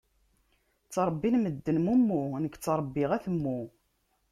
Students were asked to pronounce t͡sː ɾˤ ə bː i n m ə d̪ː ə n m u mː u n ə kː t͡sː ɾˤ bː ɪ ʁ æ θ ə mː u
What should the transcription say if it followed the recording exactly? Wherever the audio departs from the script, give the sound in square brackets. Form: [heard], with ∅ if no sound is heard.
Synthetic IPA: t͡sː ɾˤ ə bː i n m ə d̪ː ə n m u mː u n ə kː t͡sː ɾˤ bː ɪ ʁ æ θ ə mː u